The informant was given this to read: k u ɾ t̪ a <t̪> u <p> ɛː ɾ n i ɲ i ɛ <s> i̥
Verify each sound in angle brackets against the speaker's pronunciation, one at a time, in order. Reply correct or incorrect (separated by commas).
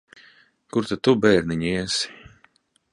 correct, incorrect, correct